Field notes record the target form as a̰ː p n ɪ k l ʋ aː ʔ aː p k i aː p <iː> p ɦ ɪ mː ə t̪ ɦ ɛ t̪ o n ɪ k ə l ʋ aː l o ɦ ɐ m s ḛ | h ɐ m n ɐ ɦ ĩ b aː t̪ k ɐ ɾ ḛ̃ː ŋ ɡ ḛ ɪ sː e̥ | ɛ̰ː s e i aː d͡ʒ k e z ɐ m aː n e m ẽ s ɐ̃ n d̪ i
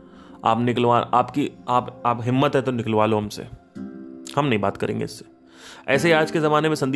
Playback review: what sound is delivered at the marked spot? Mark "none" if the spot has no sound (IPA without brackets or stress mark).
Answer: aː